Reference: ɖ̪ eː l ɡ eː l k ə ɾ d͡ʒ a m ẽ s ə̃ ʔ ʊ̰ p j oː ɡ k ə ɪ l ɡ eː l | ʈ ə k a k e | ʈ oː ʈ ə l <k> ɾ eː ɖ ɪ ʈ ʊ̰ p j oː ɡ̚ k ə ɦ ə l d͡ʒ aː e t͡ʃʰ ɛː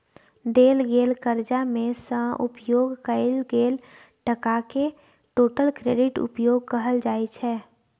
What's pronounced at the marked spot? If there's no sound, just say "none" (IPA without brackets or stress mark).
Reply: k